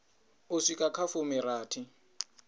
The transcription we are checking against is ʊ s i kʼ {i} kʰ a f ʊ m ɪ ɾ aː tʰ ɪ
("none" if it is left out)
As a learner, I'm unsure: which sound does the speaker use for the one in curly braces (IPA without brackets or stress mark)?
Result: a